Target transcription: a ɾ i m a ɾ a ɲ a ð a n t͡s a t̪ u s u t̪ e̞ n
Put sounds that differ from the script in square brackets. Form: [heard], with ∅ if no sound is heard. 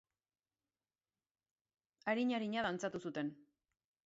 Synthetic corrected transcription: a ɾ i [ɲ] a ɾ [i] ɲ a ð a n t͡s a t̪ u s u t̪ e̞ n